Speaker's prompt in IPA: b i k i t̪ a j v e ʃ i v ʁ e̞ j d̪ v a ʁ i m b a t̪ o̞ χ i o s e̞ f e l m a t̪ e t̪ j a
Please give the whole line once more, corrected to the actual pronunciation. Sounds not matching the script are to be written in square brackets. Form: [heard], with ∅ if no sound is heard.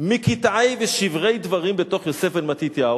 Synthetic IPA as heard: [m] i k i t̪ a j v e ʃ i v ʁ e̞ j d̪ v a ʁ i m b [e] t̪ o̞ χ [j] o s e̞ f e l m a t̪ [i] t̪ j a